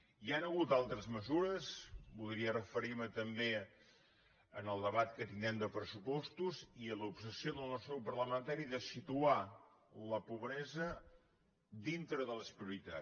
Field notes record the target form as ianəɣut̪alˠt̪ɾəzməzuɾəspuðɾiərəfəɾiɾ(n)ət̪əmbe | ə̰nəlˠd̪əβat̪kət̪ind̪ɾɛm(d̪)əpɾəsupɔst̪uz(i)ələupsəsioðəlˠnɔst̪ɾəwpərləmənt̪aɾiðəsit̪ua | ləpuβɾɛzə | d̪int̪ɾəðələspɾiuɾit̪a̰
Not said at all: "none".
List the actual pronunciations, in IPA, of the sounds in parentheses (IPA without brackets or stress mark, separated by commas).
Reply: m, d̪, i